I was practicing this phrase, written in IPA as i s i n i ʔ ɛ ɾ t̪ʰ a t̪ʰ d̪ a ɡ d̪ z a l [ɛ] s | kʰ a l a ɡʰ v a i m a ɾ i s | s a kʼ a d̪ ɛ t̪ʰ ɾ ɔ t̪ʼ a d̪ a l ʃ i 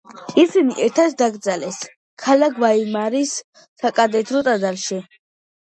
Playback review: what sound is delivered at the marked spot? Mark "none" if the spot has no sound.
ɛ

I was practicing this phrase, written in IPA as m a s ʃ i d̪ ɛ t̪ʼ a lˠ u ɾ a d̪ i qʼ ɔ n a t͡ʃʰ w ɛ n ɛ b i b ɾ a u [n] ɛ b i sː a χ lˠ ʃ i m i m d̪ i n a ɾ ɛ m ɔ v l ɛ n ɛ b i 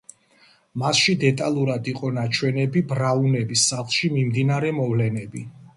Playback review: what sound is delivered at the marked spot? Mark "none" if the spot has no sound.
n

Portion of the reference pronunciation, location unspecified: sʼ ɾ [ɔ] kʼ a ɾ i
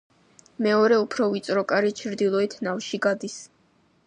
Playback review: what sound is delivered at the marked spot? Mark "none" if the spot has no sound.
ɔ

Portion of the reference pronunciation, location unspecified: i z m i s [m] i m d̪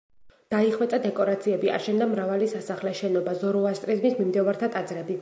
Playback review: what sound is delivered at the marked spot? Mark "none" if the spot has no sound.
m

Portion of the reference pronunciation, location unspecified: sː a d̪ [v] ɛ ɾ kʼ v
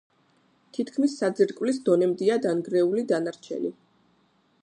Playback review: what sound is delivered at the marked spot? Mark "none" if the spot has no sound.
z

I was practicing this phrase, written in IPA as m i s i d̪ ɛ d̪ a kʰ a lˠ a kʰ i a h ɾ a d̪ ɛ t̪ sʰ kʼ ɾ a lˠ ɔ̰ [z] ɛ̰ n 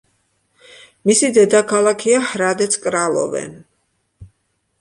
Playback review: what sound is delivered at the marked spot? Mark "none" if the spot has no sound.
v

